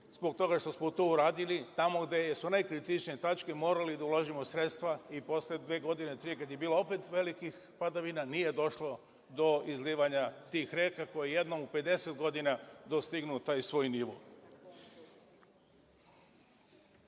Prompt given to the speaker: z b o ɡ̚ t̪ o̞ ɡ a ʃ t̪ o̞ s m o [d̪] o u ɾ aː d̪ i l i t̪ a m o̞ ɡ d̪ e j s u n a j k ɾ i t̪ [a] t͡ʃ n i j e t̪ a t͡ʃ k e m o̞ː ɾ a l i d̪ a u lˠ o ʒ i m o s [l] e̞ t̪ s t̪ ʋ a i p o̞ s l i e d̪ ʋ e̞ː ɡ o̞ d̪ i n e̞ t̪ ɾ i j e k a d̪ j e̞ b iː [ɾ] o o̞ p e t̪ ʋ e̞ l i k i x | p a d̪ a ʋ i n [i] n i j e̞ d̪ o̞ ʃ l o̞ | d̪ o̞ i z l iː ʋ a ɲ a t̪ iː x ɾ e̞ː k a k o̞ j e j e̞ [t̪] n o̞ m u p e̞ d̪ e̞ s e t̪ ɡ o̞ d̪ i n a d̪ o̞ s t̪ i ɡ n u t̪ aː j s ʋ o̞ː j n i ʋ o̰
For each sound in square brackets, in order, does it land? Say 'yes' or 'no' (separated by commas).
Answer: no, no, no, no, no, no